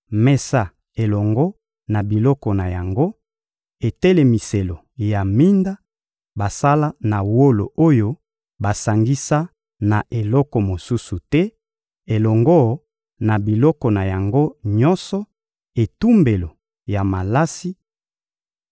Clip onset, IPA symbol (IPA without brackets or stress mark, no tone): m